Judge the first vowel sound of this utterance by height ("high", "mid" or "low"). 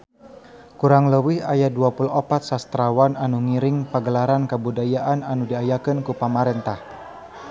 high